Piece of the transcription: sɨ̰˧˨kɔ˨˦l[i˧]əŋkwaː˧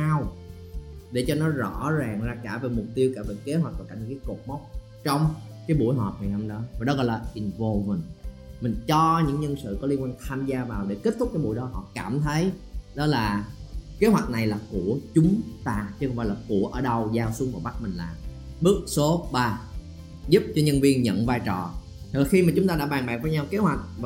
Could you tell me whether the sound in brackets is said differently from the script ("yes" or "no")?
no